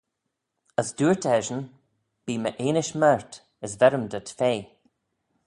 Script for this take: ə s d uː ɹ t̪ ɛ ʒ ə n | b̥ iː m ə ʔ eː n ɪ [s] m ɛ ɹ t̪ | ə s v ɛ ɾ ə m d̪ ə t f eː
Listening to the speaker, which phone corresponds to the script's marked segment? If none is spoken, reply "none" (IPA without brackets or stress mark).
ʃ